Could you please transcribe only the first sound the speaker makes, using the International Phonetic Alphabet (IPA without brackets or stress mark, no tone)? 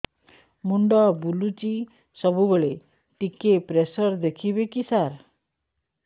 m